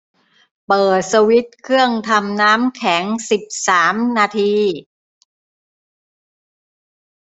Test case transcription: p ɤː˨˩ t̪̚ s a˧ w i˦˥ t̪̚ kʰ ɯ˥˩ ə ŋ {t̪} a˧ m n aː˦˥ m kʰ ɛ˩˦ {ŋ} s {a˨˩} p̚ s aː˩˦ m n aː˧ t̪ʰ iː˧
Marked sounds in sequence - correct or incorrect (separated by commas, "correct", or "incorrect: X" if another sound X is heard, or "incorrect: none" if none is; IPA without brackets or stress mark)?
incorrect: t̪ʰ, correct, incorrect: i˨˩